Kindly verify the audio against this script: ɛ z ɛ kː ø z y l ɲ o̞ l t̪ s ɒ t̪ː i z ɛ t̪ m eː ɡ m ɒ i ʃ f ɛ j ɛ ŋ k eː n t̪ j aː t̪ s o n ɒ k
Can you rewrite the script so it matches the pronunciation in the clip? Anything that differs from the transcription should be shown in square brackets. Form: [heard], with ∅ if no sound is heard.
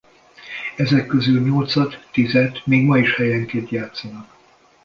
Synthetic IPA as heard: ɛ z ɛ kː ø z y l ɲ o̞ l t̪ s ɒ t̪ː i z ɛ t̪ m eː ɡ m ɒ i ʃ [h] ɛ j ɛ ŋ k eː n t̪ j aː t̪ s [ɒ] n ɒ k